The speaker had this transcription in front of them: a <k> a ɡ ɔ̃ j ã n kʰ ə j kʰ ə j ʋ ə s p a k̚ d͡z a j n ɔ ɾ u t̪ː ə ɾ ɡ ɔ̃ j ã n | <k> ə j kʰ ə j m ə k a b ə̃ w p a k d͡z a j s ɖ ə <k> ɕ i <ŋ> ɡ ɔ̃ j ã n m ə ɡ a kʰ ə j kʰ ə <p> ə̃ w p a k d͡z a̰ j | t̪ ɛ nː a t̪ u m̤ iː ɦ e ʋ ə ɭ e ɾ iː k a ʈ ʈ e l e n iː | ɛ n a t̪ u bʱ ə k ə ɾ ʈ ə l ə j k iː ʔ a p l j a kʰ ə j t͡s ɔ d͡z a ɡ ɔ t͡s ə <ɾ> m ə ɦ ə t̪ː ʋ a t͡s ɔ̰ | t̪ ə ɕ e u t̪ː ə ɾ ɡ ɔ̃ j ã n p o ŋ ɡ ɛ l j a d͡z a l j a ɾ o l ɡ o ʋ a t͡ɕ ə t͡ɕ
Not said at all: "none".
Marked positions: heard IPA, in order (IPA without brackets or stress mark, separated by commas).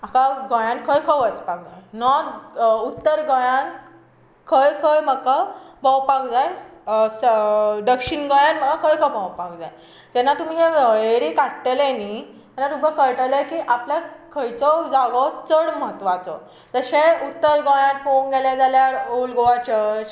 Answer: k, kʰ, k, n, b, ɽ